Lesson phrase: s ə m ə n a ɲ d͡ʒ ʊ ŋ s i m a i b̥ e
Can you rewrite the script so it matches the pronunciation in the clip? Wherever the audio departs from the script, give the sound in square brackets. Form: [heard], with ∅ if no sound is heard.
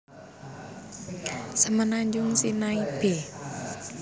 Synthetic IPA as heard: s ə m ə n a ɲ d͡ʒ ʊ ŋ s i [n] a i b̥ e